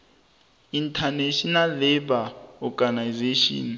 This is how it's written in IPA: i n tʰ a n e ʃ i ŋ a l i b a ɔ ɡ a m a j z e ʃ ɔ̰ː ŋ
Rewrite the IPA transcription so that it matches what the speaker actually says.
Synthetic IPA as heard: i n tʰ a n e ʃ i n a l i b a ɔ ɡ a n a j z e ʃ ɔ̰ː n